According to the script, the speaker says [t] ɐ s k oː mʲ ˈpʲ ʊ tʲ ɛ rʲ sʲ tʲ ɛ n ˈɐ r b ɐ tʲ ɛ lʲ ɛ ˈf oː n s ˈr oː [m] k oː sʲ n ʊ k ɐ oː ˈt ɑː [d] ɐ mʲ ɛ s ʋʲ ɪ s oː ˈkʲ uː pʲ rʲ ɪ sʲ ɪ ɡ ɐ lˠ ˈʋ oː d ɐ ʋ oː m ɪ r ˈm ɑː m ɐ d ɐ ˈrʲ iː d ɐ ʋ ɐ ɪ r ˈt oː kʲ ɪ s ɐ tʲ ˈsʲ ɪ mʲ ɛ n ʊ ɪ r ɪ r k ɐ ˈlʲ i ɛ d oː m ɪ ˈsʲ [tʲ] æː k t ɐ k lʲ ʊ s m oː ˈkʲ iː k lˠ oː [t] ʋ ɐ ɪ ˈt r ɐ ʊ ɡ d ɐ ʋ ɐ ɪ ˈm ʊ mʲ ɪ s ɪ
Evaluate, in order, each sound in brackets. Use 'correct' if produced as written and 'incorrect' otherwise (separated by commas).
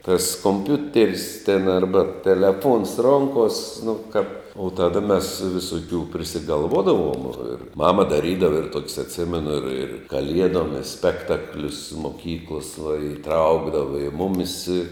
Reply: correct, incorrect, correct, incorrect, incorrect